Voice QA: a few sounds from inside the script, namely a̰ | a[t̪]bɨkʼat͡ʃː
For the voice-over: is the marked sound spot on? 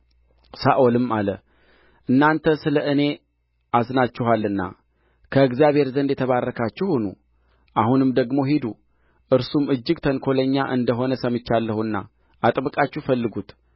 no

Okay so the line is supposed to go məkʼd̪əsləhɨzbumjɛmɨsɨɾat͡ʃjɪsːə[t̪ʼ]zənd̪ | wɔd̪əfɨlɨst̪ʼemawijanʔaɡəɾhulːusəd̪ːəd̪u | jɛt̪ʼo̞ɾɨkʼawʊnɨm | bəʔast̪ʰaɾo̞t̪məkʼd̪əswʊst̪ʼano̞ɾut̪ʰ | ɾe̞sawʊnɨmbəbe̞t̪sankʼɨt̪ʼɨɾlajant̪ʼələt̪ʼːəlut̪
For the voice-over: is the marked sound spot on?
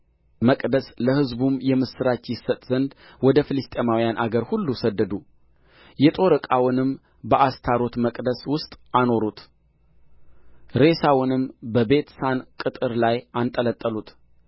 yes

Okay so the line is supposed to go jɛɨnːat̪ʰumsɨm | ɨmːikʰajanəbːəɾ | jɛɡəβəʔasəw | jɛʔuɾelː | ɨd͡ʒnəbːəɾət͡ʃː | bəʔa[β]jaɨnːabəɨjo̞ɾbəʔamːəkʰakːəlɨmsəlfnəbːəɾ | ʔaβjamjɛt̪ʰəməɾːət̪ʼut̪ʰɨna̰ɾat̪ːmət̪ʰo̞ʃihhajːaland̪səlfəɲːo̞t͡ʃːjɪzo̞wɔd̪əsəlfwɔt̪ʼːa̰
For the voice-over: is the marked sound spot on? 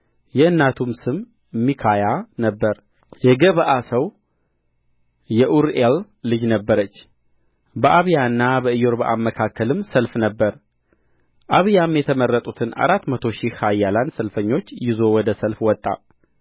yes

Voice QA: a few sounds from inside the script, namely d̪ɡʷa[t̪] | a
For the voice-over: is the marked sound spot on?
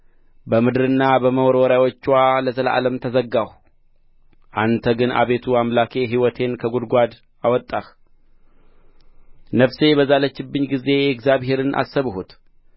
no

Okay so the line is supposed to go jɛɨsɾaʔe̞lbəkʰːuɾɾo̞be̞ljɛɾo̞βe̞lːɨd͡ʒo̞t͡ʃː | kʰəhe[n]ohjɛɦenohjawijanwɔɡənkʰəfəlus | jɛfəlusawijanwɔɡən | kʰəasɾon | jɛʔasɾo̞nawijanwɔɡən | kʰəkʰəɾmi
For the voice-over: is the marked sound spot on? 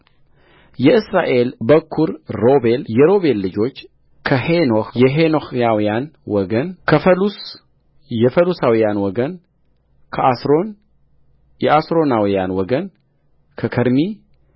yes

